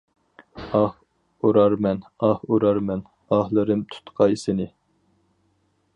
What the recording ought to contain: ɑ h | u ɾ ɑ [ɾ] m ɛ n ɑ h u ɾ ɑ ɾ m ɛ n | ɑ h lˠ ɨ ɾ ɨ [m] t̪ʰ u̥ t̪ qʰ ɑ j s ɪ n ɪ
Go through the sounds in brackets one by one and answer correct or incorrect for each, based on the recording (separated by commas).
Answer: correct, correct